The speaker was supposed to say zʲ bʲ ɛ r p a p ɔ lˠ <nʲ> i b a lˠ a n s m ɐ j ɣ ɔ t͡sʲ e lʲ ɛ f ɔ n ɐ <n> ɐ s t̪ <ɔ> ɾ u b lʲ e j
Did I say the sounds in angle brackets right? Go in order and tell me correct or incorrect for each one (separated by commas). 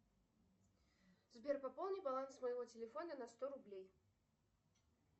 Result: correct, correct, correct